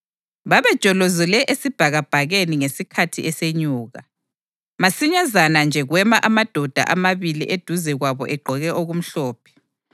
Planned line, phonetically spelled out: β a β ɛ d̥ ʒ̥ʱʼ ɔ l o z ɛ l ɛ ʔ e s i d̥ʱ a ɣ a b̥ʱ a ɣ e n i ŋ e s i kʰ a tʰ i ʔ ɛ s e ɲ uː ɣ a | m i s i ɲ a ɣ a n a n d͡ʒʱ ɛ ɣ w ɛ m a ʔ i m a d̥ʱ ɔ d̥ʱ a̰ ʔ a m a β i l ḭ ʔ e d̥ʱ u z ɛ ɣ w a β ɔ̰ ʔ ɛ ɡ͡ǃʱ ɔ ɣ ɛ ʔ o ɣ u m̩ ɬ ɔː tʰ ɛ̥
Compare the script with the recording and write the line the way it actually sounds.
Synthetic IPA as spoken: β a β ɛ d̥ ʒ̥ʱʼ ɔ l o z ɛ l ɛ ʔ e s i b̥ʱ a ɣ a b̥ʱ a ɣ e n i ŋ e s i kʰ a tʰ i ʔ ɛ s e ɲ uː ɣ a | m a s i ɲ a z a n a n d͡ʒʱ ɛ ɣ w ɛ m a ʔ a m a d̥ʱ ɔ d̥ʱ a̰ ʔ a m a β i l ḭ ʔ e d̥ʱ u z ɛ ɣ w a β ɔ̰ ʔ ɛ ɡ͡ǃʱ ɔ ɣ ɛ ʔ o ɣ u m̩ ɬ ɔː pʰ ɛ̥